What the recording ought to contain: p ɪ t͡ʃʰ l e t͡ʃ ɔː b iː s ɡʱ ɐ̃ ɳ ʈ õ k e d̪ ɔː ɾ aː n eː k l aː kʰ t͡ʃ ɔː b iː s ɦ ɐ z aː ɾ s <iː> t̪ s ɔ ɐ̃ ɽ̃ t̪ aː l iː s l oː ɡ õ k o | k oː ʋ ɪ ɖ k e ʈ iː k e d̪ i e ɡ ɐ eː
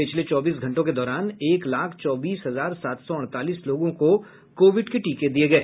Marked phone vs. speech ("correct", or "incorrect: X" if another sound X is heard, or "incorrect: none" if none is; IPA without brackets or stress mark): incorrect: aː